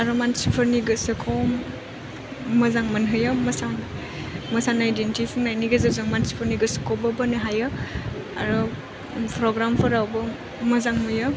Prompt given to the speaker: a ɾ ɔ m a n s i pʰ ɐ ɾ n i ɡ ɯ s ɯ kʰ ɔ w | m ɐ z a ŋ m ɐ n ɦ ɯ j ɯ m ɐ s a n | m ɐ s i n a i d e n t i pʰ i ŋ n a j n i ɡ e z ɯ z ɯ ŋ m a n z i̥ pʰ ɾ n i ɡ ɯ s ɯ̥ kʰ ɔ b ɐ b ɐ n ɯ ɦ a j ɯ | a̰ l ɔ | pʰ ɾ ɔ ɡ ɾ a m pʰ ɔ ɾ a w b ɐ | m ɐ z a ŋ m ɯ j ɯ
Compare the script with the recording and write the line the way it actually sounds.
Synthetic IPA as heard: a ɾ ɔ m a n s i pʰ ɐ ɾ n i ɡ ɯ s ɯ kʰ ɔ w | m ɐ z a ŋ m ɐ n ɦ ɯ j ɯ m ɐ s a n | m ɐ s a n a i d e n t i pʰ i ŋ n a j n i ɡ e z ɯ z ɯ ŋ m a n s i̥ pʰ ɾ n i ɡ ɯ s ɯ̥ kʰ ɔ b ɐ b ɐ n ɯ ɦ a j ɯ | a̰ ɾ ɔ | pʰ ɾ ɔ ɡ ɾ a m pʰ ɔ ɾ a w b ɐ | m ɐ z a ŋ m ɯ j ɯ